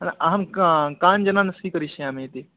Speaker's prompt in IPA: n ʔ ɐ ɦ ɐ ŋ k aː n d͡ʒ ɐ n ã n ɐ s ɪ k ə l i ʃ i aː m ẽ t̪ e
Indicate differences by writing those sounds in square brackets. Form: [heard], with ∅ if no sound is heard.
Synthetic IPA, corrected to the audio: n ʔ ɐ ɦ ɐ [m] k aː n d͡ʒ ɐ n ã n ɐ s [i] k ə [ɾ] i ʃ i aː m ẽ t̪ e